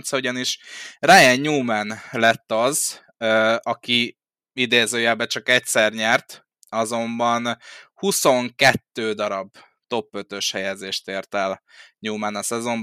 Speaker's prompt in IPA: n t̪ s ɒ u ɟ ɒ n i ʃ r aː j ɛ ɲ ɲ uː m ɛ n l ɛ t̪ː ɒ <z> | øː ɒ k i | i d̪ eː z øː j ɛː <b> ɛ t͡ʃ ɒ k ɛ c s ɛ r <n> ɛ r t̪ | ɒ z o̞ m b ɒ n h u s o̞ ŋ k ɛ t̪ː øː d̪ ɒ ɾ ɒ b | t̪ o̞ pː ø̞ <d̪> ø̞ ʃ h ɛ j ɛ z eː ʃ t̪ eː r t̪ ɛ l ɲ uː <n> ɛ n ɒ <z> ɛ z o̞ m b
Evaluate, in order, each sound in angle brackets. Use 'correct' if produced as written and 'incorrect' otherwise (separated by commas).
correct, correct, incorrect, incorrect, incorrect, incorrect